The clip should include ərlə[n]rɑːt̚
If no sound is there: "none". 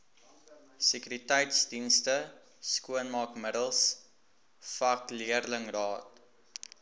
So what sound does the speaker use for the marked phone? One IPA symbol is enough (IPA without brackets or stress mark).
ŋ